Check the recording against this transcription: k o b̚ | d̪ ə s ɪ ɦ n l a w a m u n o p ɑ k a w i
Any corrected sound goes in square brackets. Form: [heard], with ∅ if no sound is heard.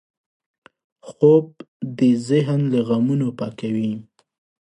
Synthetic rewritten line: [x] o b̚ | d̪ ə [z] ɪ ɦ n l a [ɣ] a m u n o p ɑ k a w i